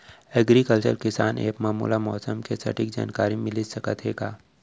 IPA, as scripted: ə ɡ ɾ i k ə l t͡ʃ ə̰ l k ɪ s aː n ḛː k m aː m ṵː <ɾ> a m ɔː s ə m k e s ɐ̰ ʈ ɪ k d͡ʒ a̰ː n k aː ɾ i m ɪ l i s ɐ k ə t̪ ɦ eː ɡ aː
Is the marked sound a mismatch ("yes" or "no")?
yes